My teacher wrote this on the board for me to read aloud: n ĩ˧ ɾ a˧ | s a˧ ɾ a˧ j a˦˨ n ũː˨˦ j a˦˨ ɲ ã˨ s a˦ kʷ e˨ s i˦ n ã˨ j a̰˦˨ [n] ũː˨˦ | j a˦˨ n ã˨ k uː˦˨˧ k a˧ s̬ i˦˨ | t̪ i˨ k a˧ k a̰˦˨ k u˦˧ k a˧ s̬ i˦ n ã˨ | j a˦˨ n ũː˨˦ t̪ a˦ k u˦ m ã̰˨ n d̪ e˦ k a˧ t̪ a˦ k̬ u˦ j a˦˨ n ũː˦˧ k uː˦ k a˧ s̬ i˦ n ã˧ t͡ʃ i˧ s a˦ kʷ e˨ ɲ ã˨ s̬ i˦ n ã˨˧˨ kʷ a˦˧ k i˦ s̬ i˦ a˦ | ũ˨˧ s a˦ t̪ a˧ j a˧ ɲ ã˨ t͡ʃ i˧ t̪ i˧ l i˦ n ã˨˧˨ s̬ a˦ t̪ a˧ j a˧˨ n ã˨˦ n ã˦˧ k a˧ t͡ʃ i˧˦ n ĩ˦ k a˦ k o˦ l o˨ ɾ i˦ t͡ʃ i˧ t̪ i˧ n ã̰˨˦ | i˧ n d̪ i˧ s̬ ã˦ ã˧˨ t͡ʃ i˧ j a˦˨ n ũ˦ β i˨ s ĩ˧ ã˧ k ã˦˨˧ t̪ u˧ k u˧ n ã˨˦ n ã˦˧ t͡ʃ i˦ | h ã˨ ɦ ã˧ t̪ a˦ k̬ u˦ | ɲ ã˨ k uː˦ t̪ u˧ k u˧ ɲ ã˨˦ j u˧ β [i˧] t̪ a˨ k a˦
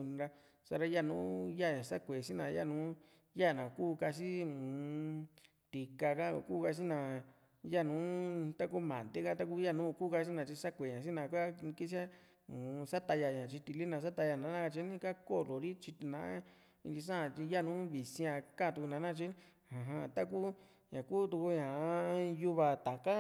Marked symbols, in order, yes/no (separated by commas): yes, no